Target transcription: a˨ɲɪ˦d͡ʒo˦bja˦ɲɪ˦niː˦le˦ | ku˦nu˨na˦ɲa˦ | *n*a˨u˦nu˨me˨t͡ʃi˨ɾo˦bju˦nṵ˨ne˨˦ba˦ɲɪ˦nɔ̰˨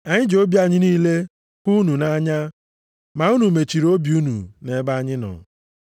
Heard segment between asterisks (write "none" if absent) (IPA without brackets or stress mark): m